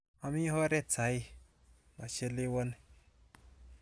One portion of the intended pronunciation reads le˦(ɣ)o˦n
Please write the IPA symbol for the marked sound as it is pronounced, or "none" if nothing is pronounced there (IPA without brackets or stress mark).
w